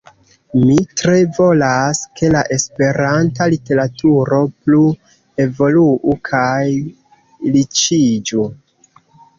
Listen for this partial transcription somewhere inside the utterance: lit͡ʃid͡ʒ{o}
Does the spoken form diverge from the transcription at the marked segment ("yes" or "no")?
yes